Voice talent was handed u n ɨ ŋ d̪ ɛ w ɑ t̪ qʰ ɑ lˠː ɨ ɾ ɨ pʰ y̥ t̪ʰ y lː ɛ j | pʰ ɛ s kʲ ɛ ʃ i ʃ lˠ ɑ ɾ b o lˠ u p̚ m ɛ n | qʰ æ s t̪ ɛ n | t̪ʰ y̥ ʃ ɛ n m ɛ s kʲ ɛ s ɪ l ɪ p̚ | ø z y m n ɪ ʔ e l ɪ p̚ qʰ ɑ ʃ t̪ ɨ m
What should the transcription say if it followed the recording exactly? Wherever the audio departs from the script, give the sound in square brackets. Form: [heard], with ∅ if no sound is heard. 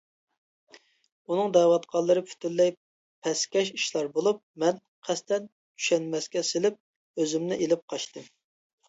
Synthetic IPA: u n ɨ ŋ d̪ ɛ w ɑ t̪ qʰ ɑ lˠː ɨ ɾ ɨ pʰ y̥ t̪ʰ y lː ɛ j | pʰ ɛ s kʲ ɛ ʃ i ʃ lˠ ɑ ɾ b o lˠ u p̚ m ɛ n | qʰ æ s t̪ ɛ n | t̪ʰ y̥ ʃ ɛ n m ɛ s kʲ ɛ s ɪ l ɪ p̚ | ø z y m n ɪ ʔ e l ɪ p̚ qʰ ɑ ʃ t̪ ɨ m